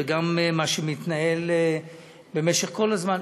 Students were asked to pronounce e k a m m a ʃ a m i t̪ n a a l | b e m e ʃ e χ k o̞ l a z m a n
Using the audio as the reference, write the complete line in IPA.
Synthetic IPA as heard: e ɡ a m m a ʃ e m i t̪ n a e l | b e m e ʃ e χ k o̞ l a z m a n